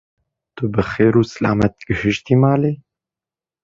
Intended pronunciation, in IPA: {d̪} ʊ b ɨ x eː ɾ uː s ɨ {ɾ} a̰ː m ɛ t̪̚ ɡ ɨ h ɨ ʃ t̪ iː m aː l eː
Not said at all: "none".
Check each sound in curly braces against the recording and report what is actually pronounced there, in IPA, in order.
t̪, l

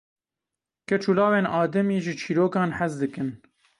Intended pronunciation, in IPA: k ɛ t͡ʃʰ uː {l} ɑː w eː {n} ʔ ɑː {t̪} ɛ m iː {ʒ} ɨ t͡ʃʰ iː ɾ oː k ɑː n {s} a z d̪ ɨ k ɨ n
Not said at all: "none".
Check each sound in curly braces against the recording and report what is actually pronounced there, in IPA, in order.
l, n, d̪, ʒ, ħ

